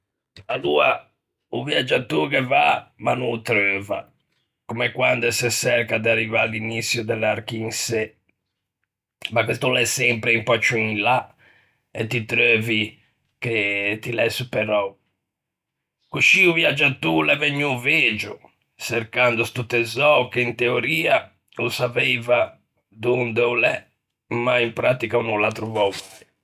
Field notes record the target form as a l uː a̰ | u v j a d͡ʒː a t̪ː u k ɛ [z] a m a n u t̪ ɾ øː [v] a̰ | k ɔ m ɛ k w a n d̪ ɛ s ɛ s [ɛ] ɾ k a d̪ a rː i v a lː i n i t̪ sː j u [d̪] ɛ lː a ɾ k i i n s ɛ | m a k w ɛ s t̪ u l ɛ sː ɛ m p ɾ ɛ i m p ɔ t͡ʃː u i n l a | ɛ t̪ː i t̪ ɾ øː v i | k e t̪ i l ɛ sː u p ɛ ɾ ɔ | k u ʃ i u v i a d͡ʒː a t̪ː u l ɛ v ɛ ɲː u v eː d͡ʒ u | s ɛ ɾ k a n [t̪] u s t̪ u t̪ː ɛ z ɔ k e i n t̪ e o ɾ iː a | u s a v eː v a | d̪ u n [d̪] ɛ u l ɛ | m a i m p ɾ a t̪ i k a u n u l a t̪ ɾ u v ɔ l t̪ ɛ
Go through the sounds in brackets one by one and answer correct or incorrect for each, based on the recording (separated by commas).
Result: incorrect, correct, correct, correct, incorrect, correct